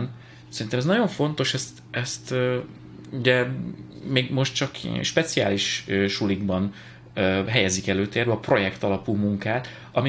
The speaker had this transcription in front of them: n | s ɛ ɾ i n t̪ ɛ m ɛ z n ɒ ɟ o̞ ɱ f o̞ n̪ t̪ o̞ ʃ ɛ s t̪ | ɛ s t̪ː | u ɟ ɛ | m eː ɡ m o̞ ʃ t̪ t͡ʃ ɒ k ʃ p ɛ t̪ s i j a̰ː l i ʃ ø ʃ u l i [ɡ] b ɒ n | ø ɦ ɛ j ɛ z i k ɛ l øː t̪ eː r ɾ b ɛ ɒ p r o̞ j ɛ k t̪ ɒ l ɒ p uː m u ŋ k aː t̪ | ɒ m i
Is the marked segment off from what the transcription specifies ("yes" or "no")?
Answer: no